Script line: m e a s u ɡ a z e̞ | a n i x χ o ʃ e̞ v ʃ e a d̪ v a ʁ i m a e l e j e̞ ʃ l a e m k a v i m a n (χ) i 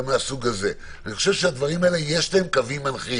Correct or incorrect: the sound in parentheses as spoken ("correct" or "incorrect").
correct